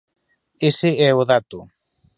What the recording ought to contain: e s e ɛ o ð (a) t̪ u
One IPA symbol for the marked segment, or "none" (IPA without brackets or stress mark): a